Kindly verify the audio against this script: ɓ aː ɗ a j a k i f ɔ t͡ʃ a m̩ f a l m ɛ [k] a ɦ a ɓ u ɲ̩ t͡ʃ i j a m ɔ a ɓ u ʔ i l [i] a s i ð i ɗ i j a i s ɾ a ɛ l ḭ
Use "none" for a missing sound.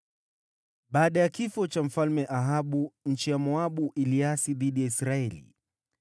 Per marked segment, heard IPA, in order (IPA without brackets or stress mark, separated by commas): ʔ, i